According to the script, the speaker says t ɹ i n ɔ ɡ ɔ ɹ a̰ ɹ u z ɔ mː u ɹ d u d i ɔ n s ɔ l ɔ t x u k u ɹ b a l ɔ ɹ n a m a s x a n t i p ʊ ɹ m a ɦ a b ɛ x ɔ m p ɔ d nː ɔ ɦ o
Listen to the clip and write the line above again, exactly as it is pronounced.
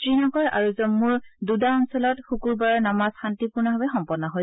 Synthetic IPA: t ɹ i n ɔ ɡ ɔ ɹ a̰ ɹ u z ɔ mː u ɹ d u d a ɔ n s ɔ l ɔ t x u k u ɹ b a ɹ ɔ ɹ n a m a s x a n t i p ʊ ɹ n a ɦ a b ɛ x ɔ m p ɔ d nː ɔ ɦ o